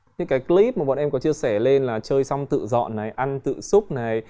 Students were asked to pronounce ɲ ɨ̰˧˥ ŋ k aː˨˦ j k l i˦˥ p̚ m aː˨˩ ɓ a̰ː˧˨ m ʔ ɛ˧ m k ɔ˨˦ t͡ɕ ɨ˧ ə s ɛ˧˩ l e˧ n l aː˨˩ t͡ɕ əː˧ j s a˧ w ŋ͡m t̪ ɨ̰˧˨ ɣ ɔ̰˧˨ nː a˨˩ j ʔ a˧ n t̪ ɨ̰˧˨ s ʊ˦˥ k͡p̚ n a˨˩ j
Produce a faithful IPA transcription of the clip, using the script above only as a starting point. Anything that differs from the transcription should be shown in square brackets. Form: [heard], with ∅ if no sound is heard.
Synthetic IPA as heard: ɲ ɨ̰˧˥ ŋ k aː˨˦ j k l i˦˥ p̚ m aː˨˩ ɓ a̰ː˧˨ [n] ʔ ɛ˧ m k ɔ˨˦ t͡ɕ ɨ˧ ə s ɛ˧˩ l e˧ n l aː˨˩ t͡ɕ əː˧ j s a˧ w ŋ͡m t̪ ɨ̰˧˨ [z] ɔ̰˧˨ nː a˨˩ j ʔ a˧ n t̪ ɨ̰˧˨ s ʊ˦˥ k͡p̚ n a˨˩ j